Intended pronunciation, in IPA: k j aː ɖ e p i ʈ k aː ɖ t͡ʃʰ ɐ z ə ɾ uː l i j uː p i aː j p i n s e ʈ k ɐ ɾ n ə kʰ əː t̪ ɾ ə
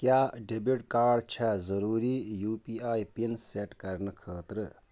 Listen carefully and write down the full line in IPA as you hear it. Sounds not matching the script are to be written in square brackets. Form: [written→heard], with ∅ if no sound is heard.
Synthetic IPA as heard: k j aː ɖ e [p→b] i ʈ k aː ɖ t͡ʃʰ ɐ z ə ɾ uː [l→ɾ] i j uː p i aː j p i n s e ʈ k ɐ ɾ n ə kʰ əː t̪ ɾ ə